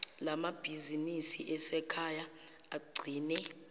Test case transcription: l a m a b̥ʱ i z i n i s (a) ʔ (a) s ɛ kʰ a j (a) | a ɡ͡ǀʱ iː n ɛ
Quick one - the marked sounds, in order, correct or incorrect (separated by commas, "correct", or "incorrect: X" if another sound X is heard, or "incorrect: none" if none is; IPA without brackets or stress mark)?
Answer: incorrect: i, incorrect: ɛ, correct